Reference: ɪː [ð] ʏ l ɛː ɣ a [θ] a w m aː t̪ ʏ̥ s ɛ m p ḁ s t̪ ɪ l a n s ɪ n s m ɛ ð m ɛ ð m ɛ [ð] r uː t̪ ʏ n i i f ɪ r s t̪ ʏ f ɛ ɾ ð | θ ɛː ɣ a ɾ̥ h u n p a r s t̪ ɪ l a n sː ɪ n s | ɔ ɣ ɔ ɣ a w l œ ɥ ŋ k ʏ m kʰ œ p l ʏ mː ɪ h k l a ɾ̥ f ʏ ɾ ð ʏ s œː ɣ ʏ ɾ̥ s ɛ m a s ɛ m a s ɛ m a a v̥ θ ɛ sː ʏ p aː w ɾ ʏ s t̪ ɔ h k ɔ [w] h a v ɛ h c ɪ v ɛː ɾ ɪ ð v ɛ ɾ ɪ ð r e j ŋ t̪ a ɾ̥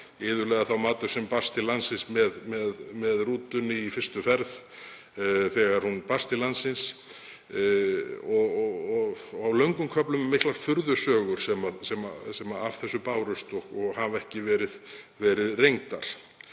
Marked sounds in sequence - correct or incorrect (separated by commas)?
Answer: correct, correct, correct, incorrect